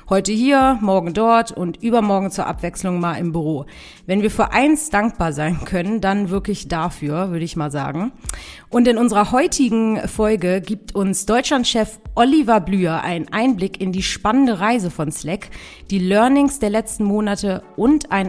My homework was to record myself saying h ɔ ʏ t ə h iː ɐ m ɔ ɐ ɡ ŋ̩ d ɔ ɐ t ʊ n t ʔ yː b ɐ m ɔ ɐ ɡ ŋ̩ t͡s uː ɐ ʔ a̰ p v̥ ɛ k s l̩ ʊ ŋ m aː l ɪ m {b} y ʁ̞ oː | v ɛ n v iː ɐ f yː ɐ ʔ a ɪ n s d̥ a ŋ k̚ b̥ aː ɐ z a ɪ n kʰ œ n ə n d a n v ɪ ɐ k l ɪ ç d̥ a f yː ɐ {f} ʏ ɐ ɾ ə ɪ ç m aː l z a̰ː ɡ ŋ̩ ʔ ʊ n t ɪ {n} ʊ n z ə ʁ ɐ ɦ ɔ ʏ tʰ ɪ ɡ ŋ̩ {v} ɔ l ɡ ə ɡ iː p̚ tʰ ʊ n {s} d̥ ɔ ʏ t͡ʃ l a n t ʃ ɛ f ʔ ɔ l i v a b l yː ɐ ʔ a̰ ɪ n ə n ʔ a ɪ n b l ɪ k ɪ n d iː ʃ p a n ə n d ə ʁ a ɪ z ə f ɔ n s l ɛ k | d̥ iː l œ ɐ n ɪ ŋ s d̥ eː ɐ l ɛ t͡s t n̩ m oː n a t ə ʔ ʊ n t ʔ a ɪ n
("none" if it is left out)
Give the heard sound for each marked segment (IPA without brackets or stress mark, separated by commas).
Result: b, v, n, f, s